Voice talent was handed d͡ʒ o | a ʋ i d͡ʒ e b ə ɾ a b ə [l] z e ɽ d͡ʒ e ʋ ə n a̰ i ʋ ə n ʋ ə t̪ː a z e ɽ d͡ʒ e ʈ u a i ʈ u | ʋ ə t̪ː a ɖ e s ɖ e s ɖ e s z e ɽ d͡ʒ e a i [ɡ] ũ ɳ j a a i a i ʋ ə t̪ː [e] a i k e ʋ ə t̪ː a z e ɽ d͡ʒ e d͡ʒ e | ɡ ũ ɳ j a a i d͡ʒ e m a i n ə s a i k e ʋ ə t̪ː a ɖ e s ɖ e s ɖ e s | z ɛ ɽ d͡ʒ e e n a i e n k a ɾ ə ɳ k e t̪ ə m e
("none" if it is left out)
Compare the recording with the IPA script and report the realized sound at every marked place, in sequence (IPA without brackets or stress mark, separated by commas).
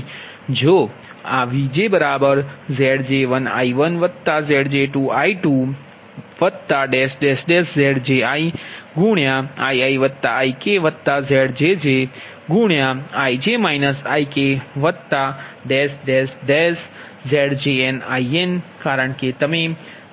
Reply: ɾ, ɡ, a